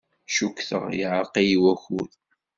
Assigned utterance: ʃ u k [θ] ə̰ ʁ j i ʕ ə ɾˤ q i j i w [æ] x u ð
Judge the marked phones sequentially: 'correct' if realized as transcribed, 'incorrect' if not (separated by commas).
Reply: correct, correct